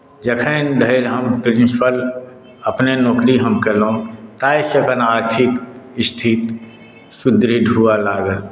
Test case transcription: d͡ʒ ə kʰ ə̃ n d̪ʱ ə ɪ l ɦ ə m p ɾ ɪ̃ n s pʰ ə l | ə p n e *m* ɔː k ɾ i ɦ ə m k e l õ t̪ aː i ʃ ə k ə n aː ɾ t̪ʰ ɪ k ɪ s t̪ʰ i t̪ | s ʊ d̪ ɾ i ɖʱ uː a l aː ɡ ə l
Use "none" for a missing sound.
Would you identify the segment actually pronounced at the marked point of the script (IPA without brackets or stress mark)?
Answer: n